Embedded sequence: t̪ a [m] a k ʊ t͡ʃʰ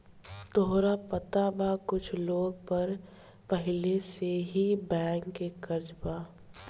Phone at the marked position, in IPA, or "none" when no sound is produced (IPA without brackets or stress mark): b